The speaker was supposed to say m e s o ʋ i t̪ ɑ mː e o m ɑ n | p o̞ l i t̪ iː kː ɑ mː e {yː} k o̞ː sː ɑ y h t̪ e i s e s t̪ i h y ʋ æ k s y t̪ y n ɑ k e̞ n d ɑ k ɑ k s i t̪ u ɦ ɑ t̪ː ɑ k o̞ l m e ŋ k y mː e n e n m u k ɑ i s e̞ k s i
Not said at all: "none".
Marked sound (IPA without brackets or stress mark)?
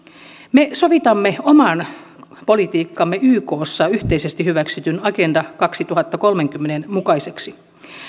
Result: yː